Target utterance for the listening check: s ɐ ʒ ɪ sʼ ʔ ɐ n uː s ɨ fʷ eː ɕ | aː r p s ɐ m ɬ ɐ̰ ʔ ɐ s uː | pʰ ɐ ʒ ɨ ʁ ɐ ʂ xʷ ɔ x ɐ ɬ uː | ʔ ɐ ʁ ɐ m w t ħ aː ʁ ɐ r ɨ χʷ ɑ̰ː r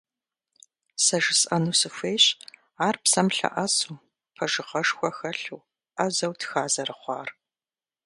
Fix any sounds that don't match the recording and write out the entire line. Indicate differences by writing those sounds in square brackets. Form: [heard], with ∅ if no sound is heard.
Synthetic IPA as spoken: s ɐ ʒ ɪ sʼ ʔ ɐ n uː s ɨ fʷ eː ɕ | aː r p s ɐ m ɬ ɐ̰ ʔ ɐ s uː | pʰ ɐ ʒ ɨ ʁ ɐ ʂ xʷ ɔ x ɐ ɬ uː | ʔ ɐ [z] ɐ [∅] w t [x] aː [z] ɐ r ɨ χʷ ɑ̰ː r